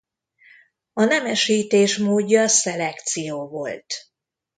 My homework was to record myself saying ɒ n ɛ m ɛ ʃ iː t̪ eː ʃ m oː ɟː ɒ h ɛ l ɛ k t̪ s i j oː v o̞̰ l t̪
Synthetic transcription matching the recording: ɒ n ɛ m ɛ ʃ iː t̪ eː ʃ m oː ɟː ɒ s ɛ l ɛ k t̪ s i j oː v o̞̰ l t̪